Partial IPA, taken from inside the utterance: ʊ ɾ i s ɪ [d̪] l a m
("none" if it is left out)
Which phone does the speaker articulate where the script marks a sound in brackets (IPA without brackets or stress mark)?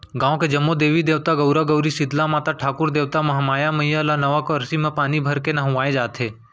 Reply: d̪